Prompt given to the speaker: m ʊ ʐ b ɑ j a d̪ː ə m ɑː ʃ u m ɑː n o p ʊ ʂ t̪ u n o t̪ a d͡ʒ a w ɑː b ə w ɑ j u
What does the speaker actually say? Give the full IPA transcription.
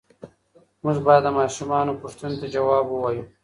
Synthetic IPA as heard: m ʊ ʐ b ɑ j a d̪ː ə m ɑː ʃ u m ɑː n o p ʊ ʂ t̪ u n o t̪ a d͡ʒ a w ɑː b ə w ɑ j u